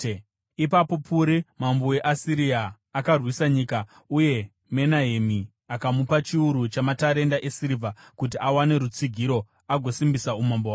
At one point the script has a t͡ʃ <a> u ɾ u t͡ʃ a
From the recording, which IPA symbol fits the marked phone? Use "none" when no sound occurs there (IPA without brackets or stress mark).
i